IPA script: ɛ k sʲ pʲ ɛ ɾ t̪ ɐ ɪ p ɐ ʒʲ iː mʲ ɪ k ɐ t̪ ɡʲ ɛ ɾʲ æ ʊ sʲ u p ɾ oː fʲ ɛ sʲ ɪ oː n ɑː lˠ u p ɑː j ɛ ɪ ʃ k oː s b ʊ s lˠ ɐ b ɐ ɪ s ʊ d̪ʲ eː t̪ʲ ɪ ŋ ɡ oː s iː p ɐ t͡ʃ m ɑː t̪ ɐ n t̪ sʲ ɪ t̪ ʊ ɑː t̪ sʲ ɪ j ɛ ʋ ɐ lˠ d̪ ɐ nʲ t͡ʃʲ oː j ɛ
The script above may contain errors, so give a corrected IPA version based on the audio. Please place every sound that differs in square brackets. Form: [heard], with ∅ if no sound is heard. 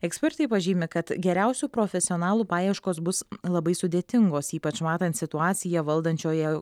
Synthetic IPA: ɛ k sʲ pʲ ɛ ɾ t̪ ɐ ɪ p ɐ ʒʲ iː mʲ ɪ k ɐ t̪ ɡʲ ɛ ɾʲ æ ʊ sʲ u p ɾ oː fʲ ɛ sʲ ɪ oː n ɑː lˠ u p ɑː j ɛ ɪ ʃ k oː s b ʊ s lˠ ɐ b ɐ ɪ s ʊ d̪ʲ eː t̪ʲ ɪ ŋ ɡ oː s iː p ɐ t͡ʃ m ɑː t̪ ɐ n t̪ sʲ ɪ t̪ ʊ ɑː t̪ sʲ ɪ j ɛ ʋ ɐ lˠ d̪ ɐ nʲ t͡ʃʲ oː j ɛ